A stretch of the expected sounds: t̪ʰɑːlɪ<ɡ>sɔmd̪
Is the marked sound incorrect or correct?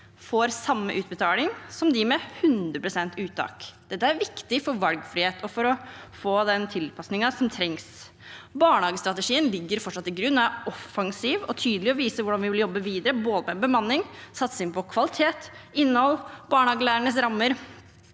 incorrect